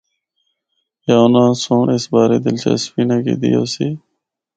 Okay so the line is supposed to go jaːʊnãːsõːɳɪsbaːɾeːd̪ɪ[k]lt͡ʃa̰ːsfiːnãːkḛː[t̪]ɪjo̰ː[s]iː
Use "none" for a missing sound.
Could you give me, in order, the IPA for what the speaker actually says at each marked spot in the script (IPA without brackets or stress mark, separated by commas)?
none, d̪, s